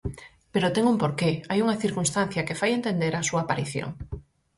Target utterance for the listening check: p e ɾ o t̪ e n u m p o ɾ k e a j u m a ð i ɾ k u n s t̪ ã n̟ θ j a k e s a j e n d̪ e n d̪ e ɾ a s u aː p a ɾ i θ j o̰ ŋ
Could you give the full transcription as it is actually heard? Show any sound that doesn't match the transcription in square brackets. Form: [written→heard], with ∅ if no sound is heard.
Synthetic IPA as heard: p e ɾ o t̪ e [n→ŋ] u m p o ɾ k e a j u [m→ŋ] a [ð→θ] i ɾ k u n s t̪ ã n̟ θ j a k e [s→f] a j e n [d̪→t̪] e n d̪ e ɾ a s u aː p a ɾ i θ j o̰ ŋ